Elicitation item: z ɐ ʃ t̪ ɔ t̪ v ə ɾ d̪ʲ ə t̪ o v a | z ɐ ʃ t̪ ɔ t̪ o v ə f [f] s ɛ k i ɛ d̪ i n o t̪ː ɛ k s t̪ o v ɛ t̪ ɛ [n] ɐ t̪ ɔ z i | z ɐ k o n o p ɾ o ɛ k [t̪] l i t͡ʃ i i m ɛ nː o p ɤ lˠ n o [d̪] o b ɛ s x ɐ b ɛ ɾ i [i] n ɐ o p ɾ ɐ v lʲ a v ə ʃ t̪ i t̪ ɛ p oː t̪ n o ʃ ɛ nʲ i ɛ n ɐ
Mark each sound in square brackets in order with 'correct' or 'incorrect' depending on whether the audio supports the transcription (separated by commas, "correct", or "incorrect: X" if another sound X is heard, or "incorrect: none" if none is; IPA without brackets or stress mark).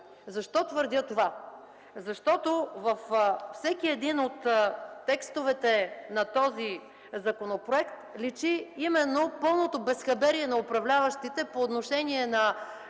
correct, correct, correct, incorrect: t̪, incorrect: ɛ